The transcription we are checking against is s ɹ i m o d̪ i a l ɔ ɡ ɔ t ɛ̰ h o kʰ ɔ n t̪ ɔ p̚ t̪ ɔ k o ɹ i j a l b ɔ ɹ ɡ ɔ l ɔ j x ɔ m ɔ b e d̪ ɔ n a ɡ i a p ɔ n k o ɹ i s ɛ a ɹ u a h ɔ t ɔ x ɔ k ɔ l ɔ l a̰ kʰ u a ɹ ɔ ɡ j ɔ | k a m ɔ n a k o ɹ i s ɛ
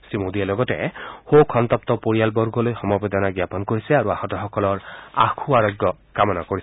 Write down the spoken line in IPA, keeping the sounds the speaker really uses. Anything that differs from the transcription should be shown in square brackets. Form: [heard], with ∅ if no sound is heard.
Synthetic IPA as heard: s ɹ i m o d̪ i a l ɔ ɡ ɔ t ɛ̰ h o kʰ ɔ n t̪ ɔ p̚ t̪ ɔ [p] o ɹ i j a l b ɔ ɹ ɡ ɔ l [o] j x ɔ m ɔ b e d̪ ɔ n a ɡ [j] a p ɔ n k o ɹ i s ɛ a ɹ u a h ɔ t ɔ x ɔ k ɔ l ɔ [ɹ] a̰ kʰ u a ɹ ɔ ɡ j ɔ | k a m ɔ n a k o ɹ i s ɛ